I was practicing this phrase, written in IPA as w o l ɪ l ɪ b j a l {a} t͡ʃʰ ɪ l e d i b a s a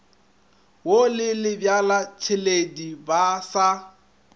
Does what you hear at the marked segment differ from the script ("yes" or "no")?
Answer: no